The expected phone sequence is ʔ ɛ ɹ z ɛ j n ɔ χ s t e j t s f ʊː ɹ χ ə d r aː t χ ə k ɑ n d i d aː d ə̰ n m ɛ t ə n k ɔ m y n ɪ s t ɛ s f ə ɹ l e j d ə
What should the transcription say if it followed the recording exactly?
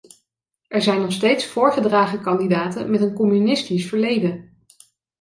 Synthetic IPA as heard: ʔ ɛ ɹ z ɛ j n ɔ χ s t e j t s f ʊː ɹ χ ə d r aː χ ə k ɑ n d i d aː t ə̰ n m ɛ t ə n k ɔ m y n ɪ s t i s f ə ɹ l e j d ə